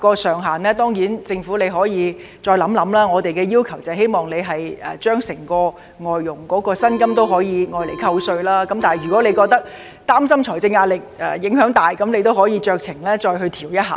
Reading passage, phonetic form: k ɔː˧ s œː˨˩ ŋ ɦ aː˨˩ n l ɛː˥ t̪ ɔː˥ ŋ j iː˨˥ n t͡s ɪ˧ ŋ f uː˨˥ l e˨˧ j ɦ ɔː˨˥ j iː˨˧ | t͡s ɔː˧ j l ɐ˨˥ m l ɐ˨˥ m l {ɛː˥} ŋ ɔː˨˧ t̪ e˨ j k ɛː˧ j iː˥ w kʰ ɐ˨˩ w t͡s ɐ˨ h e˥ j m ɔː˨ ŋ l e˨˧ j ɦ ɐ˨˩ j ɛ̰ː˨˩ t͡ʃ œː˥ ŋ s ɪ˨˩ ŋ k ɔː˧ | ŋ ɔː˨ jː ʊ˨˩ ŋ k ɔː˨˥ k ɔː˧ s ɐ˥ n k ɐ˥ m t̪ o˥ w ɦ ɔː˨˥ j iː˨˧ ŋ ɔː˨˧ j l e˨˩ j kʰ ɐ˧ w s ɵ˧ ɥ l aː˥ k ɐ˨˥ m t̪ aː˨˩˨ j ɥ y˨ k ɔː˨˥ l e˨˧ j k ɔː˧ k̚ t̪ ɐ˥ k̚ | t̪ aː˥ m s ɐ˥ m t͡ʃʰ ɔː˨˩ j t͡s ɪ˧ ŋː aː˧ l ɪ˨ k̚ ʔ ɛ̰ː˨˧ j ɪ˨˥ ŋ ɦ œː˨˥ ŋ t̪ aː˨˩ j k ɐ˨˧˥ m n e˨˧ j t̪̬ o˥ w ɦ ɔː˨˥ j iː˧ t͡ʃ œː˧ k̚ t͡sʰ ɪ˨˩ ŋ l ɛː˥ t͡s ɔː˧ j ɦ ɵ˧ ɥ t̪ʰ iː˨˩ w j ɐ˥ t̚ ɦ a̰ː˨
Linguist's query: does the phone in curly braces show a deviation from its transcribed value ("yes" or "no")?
yes